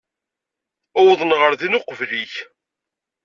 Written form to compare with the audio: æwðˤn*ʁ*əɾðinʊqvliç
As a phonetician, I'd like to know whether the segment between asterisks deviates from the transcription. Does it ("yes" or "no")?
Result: no